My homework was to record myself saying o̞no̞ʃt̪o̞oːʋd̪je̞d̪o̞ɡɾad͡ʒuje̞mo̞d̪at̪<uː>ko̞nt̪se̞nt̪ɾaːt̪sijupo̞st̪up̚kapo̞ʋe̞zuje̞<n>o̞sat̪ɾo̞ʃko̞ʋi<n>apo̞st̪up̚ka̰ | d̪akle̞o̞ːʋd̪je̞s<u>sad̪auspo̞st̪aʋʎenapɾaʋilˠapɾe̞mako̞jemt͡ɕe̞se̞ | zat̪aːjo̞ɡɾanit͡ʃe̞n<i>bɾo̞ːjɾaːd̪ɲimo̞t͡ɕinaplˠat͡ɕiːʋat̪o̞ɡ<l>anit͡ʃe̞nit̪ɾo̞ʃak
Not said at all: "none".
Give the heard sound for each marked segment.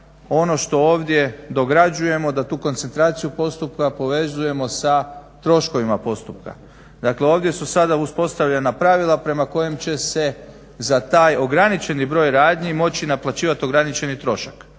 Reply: uː, m, m, u, i, ɾ

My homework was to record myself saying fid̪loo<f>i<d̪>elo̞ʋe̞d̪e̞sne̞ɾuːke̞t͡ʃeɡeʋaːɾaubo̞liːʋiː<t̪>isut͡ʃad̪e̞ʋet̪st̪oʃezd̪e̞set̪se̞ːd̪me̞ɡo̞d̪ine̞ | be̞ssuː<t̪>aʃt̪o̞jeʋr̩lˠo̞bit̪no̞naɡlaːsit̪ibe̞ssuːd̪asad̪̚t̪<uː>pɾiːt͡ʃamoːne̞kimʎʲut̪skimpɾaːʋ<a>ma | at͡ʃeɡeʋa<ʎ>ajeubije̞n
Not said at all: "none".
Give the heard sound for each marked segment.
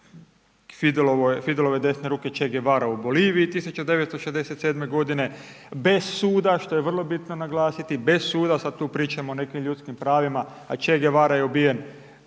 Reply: f, d̪, t̪, d̪, uː, i, ɾ

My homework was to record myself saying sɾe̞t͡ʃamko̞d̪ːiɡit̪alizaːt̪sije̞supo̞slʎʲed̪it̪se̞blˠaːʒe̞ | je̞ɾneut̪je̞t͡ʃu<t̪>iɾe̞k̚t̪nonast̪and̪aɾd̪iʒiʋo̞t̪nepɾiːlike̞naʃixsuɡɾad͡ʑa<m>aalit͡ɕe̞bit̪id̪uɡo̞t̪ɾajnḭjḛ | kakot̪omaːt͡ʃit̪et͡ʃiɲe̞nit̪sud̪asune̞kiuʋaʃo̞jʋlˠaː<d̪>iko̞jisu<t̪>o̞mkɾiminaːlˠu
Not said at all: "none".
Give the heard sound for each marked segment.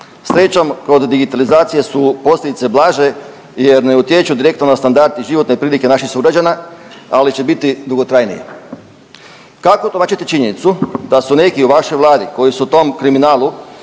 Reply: d̪, n, d̪, t̪

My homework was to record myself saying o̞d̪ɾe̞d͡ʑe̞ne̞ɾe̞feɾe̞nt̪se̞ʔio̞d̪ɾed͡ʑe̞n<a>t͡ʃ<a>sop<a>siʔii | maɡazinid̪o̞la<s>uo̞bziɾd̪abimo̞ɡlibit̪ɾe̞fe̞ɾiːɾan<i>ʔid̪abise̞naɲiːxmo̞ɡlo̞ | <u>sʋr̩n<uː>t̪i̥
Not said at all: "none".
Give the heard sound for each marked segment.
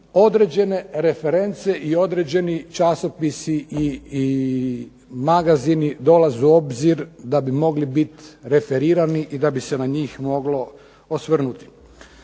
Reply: i, a, i, z, i, o, u

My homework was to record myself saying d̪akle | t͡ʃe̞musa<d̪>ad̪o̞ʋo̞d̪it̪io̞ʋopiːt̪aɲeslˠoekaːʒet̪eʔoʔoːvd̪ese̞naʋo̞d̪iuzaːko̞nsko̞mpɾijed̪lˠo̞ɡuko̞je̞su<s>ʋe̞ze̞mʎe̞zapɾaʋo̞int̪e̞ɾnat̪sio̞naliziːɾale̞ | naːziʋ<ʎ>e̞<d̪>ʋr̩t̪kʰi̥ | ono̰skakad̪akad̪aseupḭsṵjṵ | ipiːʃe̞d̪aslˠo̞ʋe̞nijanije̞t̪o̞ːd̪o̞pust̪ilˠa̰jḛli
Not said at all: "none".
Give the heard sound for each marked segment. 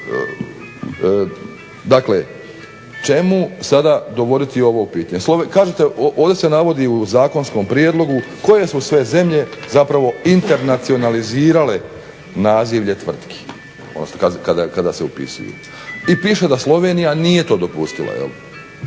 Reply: d̪, s, ʎ, t̪

